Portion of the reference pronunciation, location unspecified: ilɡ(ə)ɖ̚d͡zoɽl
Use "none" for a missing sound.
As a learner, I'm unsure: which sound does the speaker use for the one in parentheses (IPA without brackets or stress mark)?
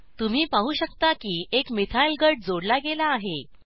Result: ə